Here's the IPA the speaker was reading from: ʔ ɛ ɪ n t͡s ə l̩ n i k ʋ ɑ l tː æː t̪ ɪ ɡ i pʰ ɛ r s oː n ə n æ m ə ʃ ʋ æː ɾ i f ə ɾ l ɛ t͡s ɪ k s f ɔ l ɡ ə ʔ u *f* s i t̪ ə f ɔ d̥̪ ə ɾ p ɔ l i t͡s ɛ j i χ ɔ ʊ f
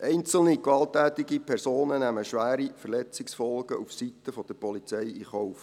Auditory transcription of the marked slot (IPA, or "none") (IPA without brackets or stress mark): f